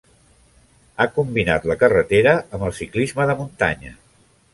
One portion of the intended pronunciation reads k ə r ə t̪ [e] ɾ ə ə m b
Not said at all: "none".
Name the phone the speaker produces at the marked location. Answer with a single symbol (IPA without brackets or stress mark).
e